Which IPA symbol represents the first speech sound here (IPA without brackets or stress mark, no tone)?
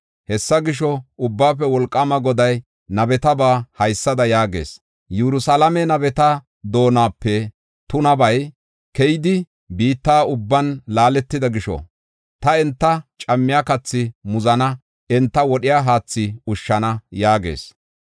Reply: h